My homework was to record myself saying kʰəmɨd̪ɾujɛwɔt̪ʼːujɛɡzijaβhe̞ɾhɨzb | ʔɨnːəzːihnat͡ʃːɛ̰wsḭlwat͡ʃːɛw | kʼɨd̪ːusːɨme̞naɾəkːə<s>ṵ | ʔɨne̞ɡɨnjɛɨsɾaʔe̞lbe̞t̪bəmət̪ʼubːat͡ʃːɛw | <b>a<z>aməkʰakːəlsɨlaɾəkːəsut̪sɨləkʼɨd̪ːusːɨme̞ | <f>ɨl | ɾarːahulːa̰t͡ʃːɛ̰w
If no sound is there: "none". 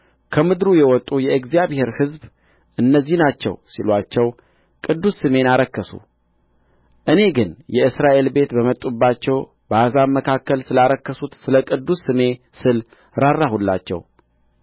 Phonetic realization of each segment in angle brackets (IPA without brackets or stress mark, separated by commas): s, b, z, s